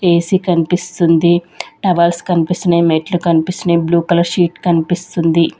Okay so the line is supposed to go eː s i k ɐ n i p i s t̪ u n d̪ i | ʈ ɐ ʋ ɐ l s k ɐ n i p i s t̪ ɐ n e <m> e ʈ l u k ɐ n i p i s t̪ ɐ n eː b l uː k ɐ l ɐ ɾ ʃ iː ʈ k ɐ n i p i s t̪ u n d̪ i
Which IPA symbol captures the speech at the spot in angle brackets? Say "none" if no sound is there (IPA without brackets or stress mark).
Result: m